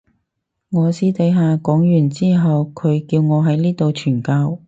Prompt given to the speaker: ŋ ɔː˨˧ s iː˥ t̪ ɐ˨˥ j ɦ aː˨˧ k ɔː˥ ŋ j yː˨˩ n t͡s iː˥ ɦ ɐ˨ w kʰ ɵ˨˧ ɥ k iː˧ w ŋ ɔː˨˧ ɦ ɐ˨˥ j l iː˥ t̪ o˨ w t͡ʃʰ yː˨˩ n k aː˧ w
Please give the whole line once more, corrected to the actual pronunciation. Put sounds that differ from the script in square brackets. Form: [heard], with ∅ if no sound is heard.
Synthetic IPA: ŋ ɔː˨˧ s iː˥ t̪ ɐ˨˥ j ɦ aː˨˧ k [ɔː˨˥] ŋ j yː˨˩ n t͡s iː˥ ɦ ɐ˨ w kʰ ɵ˨˧ ɥ k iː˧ w ŋ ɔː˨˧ ɦ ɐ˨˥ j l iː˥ t̪ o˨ w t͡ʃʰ yː˨˩ n k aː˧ w